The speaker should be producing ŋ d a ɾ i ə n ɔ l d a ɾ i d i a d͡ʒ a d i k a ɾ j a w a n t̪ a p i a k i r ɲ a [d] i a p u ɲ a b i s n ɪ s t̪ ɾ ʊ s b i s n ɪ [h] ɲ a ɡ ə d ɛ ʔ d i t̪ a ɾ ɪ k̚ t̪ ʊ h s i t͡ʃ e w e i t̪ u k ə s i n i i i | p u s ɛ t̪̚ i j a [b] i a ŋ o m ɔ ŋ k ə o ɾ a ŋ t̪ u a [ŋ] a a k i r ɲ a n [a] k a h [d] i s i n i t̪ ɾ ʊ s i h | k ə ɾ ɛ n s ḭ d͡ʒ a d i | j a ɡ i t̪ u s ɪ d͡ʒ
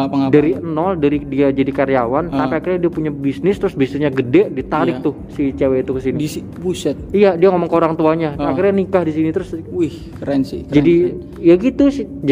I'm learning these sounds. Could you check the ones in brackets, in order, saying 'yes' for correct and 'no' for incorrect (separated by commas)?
yes, no, no, no, no, yes